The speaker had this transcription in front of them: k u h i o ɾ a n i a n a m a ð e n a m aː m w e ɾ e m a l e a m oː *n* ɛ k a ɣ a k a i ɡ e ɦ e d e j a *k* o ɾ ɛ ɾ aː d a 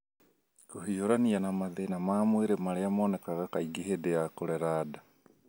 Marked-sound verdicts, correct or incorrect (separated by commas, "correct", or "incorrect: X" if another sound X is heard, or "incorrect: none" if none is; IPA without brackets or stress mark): correct, correct